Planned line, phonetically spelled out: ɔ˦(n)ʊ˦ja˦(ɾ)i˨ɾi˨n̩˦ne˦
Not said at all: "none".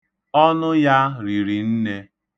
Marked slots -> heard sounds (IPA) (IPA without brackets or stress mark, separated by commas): n, ɾ